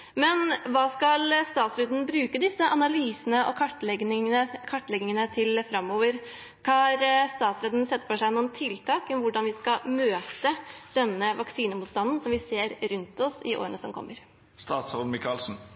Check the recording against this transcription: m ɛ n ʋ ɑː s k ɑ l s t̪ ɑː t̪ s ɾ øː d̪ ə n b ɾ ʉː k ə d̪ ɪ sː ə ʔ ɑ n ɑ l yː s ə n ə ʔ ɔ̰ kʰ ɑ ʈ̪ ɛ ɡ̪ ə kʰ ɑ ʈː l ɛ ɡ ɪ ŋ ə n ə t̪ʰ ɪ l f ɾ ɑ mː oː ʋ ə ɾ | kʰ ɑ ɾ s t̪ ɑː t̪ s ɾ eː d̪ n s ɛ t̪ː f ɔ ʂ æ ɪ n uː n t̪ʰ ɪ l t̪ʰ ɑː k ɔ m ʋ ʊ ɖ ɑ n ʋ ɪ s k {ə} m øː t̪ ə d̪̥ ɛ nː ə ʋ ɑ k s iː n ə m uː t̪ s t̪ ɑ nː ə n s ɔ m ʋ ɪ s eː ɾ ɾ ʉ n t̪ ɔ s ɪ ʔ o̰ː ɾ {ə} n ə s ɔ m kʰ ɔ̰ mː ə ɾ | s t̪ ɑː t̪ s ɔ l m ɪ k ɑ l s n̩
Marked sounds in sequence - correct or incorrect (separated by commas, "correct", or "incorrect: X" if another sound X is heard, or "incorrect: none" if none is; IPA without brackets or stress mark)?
incorrect: ɑ, correct